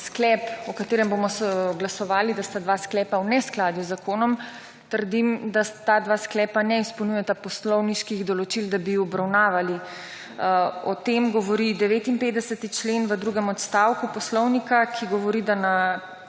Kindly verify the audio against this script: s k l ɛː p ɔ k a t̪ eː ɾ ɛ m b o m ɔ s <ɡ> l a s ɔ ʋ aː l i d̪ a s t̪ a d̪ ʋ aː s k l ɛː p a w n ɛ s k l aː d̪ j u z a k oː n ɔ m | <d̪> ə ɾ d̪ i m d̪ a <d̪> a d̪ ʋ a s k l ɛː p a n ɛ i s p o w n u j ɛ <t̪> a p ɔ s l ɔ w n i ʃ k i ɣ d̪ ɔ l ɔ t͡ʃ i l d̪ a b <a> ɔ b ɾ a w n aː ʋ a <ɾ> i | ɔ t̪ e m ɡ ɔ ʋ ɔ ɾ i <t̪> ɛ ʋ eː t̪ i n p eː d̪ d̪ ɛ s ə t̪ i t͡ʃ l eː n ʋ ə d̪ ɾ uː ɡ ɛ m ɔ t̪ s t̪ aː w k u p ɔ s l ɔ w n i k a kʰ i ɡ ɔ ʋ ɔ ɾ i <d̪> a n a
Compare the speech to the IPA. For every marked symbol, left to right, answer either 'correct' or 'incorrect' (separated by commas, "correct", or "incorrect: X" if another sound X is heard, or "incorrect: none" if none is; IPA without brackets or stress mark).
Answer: correct, incorrect: t̪, incorrect: t̪, correct, incorrect: i, incorrect: l, incorrect: d̪, correct